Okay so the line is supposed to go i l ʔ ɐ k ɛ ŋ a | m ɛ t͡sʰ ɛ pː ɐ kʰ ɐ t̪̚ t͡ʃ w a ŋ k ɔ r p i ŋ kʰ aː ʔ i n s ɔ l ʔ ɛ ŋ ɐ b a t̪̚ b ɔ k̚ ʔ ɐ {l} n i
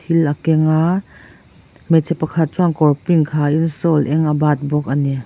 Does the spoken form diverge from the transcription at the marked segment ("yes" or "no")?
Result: yes